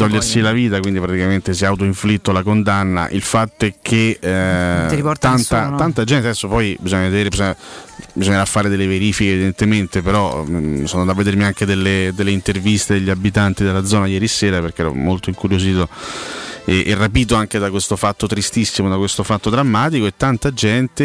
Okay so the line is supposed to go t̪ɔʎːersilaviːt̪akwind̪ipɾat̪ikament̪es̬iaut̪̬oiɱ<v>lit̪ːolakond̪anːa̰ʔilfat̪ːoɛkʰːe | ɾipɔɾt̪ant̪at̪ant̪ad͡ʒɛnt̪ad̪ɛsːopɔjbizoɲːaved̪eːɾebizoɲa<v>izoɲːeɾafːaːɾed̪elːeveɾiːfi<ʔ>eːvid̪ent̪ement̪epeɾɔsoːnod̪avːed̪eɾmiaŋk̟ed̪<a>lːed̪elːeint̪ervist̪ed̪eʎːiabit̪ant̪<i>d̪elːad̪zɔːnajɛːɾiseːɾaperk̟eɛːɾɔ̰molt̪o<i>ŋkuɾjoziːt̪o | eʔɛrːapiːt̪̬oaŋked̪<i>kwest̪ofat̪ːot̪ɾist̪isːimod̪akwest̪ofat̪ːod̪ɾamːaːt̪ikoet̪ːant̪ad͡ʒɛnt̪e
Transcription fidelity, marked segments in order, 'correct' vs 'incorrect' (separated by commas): incorrect, incorrect, incorrect, incorrect, correct, correct, incorrect